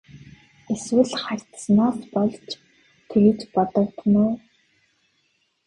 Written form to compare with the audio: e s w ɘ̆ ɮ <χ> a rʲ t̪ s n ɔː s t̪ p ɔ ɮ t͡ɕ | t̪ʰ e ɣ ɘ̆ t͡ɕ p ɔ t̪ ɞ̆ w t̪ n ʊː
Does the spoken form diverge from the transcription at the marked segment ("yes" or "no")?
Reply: no